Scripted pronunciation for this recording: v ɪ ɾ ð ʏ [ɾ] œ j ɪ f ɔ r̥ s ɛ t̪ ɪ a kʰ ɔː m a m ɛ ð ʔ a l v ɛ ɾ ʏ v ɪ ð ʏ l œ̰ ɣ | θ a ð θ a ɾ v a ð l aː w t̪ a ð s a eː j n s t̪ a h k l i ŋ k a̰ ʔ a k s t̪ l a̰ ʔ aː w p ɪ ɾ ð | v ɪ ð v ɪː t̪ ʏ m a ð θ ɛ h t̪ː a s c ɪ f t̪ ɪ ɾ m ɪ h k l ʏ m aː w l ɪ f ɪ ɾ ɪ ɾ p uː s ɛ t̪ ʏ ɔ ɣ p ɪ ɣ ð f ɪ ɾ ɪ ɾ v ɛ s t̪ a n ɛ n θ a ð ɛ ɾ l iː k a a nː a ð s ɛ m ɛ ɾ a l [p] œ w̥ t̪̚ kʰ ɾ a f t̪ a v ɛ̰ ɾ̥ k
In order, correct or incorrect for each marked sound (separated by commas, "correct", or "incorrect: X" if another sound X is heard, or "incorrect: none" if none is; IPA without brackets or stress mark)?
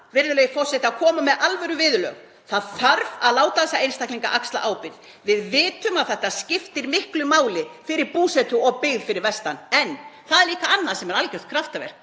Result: incorrect: l, incorrect: c